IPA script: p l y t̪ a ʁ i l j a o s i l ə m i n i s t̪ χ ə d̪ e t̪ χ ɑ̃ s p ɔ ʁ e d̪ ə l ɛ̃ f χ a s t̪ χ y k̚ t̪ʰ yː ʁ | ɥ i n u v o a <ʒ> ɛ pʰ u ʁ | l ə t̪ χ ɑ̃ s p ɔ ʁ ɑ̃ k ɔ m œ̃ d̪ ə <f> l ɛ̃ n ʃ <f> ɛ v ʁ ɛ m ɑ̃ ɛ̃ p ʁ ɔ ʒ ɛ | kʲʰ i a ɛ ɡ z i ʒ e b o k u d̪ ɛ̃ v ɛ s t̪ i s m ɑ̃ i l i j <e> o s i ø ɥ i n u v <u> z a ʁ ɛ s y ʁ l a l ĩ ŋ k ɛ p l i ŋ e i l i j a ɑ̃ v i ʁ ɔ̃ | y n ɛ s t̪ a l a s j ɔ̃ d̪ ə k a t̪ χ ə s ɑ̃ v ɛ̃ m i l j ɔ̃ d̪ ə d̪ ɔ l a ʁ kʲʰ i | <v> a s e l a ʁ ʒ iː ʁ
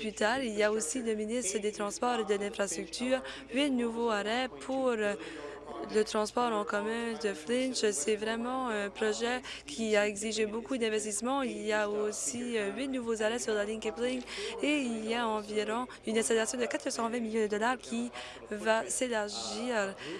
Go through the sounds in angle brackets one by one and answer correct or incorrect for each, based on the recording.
incorrect: ʁ, correct, incorrect: s, incorrect: a, incorrect: o, correct

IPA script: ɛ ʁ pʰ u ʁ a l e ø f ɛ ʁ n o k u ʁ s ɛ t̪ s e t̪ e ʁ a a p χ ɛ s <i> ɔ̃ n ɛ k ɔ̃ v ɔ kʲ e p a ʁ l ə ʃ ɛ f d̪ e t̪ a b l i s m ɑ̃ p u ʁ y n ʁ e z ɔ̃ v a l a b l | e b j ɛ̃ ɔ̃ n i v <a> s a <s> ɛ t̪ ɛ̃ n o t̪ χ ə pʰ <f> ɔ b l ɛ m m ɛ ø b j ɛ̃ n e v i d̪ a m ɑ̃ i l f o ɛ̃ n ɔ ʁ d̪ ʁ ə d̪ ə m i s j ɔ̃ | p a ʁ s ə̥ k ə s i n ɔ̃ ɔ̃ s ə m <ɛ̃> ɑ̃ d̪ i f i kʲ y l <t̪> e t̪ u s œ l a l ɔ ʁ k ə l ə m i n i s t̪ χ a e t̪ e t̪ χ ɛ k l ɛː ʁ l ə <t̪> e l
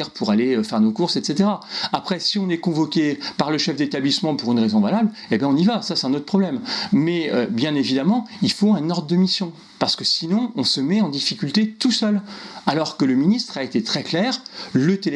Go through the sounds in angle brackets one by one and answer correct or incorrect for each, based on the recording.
correct, correct, correct, incorrect: χ, incorrect: ɛ, correct, correct

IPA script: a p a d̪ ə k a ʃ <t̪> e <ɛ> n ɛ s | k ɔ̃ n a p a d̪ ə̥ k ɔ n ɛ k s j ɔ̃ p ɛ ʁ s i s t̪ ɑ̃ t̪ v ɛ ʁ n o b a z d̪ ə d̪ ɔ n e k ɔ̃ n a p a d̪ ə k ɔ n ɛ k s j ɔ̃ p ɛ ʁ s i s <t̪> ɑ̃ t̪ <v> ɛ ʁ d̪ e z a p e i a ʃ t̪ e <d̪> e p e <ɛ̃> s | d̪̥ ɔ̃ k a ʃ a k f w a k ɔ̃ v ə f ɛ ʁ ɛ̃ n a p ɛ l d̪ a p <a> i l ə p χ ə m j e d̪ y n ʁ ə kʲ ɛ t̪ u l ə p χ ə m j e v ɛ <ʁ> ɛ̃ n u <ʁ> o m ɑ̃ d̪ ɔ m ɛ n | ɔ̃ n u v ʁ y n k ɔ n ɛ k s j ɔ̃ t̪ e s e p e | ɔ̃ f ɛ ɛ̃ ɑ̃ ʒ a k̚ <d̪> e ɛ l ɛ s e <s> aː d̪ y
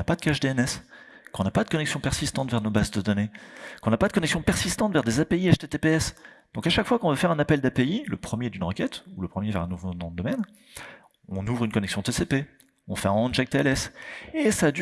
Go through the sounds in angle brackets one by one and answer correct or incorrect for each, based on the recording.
incorrect: d̪, correct, correct, correct, incorrect: t̪, incorrect: ɛ, incorrect: e, correct, incorrect: v, incorrect: t̪, correct

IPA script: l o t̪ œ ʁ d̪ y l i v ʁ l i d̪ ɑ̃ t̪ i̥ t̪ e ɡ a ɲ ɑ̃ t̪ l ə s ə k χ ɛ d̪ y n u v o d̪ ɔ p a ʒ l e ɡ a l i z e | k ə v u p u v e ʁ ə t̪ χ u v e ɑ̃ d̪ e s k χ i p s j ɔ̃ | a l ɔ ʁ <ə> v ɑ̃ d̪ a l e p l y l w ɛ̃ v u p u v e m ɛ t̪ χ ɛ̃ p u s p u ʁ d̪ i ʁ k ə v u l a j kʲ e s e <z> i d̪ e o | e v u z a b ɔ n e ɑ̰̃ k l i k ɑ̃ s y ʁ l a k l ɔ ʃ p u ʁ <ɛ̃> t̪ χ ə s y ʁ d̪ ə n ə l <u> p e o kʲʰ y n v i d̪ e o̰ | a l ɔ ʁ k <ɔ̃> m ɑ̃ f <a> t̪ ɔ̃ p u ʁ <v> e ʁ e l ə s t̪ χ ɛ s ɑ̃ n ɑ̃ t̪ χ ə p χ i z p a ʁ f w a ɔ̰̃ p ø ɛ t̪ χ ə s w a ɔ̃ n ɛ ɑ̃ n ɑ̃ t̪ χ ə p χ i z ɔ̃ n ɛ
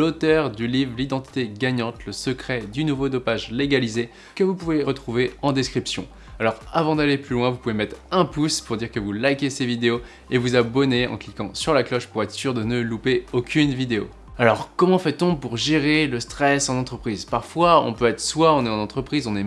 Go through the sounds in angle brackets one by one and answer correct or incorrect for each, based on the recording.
incorrect: a, incorrect: v, incorrect: ɛ, correct, incorrect: ɔ, incorrect: ɛ, incorrect: ʒ

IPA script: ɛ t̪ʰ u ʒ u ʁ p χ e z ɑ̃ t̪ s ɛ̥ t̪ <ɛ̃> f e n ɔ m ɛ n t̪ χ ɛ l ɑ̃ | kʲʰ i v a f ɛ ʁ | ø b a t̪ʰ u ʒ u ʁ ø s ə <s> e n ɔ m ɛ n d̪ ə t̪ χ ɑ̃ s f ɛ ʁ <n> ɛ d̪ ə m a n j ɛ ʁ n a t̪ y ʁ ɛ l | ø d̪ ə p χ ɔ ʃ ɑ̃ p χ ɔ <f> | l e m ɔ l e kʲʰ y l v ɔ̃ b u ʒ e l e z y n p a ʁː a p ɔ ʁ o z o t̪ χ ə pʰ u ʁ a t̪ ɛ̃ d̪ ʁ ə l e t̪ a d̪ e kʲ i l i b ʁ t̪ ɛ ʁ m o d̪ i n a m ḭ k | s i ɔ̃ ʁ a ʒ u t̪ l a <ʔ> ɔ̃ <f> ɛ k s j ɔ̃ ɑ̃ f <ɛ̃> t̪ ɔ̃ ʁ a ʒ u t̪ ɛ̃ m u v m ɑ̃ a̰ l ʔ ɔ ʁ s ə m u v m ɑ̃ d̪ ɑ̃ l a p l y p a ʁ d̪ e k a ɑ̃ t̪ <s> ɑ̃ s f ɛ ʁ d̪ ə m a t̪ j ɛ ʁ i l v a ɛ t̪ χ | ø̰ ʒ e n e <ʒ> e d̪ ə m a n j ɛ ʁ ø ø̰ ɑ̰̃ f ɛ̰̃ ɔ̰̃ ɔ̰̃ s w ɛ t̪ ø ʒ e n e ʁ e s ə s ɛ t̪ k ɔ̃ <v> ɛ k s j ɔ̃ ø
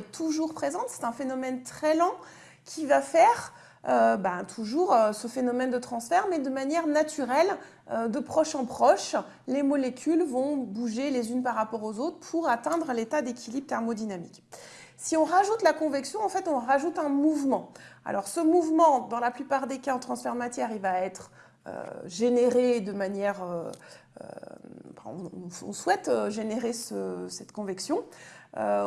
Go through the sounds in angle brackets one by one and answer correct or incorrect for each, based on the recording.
correct, incorrect: f, incorrect: m, incorrect: ʃ, incorrect: k, incorrect: v, incorrect: ɛ, incorrect: χ, incorrect: ʁ, correct

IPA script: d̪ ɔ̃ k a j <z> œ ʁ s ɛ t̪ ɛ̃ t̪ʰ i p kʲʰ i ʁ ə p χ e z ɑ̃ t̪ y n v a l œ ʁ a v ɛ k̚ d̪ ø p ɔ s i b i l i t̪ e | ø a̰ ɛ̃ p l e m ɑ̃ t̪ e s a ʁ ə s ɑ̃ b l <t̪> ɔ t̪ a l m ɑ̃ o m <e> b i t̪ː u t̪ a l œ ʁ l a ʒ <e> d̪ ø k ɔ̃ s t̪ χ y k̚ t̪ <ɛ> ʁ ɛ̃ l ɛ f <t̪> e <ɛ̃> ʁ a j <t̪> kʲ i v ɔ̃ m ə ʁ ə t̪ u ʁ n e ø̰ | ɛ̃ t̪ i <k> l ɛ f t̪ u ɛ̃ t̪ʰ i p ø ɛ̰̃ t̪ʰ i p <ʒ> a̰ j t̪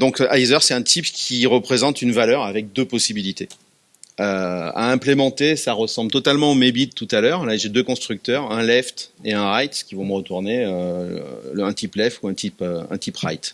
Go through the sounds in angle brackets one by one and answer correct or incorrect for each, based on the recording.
correct, correct, correct, correct, incorrect: œ, correct, correct, correct, incorrect: p, incorrect: ʁ

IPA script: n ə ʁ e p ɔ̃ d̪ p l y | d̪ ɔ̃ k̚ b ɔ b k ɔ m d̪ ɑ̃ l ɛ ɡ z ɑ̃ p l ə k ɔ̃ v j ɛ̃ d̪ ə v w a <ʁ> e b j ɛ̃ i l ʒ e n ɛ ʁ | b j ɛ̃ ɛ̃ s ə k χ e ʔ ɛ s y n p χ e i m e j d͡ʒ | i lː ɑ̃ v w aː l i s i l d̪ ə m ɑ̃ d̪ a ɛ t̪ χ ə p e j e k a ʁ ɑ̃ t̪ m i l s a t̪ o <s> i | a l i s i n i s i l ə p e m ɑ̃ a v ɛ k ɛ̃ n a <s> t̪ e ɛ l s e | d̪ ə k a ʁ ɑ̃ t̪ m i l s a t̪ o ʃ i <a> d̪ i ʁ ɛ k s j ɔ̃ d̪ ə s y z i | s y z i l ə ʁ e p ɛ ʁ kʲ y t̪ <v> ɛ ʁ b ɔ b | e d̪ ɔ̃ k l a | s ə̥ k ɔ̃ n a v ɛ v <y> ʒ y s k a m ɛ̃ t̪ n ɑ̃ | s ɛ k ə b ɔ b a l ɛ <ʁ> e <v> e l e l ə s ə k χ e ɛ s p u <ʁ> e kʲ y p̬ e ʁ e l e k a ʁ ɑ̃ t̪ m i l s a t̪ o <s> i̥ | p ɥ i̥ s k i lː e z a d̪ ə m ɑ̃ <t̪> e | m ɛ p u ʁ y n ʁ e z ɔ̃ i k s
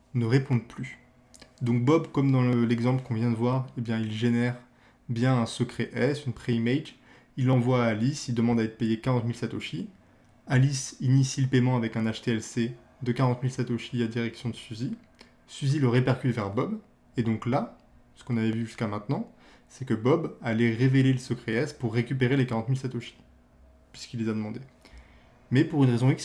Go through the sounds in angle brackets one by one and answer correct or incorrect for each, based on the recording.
correct, incorrect: ʃ, incorrect: ʃ, correct, correct, correct, correct, correct, incorrect: ʁː, incorrect: ʃ, incorrect: d̪

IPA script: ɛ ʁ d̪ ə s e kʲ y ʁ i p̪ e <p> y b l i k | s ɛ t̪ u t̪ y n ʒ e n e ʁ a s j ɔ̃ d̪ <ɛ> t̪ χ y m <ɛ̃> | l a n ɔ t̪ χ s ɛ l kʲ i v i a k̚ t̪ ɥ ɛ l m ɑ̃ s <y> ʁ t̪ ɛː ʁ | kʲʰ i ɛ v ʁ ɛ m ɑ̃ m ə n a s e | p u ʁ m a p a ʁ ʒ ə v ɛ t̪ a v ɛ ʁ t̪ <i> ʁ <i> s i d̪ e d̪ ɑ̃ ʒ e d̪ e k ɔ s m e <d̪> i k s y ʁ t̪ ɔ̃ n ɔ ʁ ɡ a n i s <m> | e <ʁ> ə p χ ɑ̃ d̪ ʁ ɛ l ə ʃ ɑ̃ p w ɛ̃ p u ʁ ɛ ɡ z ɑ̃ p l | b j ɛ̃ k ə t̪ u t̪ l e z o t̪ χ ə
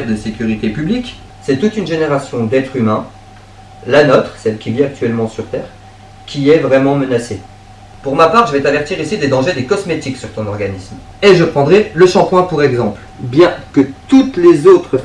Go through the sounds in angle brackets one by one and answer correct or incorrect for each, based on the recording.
correct, correct, correct, correct, correct, correct, incorrect: t̪, correct, incorrect: ʒ

